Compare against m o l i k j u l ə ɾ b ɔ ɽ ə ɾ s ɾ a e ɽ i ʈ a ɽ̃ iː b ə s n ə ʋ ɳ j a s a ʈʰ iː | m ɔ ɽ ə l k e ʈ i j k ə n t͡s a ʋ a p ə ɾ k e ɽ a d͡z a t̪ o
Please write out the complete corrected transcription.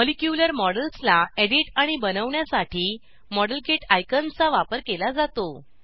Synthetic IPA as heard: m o l i k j u l ə ɾ m ɔ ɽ ə l s l a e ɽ i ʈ a ɽ̃ i b ə n ə ʋ ɳ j a s a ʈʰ iː | m ɔ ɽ ə l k e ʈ a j k ə n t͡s a ʋ a p ə ɾ k e l a d͡z a t̪ o